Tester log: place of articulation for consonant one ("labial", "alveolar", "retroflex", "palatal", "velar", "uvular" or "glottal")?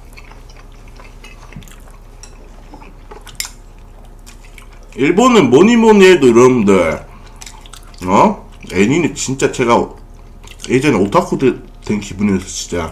retroflex